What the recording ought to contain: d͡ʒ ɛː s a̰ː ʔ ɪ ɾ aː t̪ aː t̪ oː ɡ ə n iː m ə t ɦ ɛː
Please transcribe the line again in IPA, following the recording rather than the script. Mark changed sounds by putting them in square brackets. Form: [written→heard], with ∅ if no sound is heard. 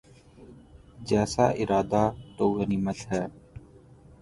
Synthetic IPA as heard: d͡ʒ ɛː s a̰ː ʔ ɪ ɾ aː [t̪→d̪] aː t̪ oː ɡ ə n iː m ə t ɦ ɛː